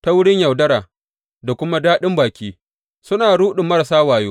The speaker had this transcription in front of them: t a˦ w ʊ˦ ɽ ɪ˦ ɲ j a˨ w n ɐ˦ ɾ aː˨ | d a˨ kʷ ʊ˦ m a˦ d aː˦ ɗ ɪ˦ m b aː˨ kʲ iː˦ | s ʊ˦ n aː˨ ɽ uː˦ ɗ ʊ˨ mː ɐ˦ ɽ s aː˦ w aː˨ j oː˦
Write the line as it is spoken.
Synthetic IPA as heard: t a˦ w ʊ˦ ɽ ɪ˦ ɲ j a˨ w d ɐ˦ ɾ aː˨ | d a˨ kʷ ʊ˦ m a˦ d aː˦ ɗ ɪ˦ m b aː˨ kʲ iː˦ | s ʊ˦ n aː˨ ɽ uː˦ ɗ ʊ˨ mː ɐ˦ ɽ s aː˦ w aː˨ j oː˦